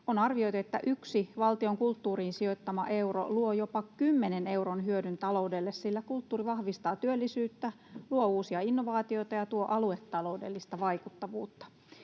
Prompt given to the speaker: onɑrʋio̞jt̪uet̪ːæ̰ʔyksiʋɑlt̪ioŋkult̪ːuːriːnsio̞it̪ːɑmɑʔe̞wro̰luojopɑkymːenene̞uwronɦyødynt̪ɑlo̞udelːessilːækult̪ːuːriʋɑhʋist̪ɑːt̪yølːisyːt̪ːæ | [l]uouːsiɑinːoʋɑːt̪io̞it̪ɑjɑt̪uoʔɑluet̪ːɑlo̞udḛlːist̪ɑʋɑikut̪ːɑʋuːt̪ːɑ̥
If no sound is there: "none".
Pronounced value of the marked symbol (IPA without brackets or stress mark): l